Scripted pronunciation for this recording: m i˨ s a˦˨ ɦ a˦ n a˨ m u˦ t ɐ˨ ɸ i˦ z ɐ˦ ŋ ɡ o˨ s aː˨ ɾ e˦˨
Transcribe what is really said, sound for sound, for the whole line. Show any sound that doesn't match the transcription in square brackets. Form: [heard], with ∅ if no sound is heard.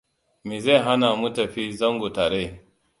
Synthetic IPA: m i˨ [z] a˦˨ ɦ a˦ n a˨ m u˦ t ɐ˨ ɸ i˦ z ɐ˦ ŋ ɡ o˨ [t] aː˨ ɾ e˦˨